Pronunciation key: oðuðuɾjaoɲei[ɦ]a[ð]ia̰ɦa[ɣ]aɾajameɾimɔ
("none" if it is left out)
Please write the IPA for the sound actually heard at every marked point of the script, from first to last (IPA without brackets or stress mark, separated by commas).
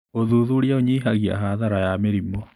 ɦ, ɣ, ð